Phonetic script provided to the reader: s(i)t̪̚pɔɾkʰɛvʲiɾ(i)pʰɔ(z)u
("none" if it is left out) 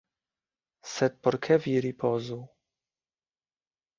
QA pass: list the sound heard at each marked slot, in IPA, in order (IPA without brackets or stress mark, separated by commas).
ɛ, i, z